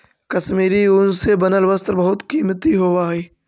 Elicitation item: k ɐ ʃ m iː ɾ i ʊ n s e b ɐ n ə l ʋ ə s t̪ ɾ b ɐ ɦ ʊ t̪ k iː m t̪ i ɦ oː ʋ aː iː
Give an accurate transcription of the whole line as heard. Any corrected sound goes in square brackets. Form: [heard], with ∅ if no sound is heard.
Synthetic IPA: k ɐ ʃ m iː ɾ i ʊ n s e b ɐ n ə l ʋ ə s t̪ ɾ b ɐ ɦ ʊ t̪ k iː m t̪ i ɦ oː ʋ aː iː